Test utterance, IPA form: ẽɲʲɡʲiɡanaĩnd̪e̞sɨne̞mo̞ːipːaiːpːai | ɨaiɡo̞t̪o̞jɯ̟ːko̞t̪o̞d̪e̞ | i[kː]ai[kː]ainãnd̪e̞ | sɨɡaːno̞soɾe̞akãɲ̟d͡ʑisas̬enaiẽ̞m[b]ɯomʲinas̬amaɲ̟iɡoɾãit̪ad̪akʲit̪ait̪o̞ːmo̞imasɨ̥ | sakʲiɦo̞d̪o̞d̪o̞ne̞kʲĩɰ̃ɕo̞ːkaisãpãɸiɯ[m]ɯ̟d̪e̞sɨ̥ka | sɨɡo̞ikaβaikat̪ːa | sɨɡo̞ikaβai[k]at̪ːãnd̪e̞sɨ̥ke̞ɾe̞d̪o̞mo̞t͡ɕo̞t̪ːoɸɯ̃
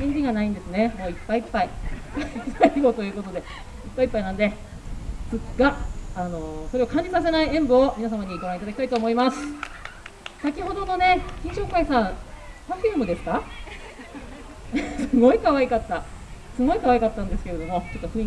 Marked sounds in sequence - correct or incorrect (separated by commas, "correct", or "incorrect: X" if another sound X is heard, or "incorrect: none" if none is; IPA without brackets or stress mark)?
incorrect: pː, incorrect: pː, correct, correct, correct